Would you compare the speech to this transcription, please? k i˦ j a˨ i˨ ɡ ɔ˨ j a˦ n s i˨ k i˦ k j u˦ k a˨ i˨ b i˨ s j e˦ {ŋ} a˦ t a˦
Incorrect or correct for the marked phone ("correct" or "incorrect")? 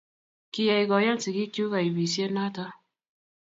incorrect